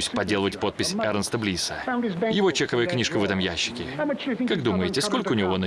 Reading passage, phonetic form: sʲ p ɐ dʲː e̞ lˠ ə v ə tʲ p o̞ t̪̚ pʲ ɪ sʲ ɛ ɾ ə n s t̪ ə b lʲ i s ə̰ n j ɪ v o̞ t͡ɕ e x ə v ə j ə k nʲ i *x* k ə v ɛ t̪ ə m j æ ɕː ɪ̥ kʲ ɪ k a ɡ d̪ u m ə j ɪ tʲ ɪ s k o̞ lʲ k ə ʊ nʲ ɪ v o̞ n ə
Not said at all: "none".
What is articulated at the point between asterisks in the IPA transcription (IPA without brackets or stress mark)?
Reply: ʂ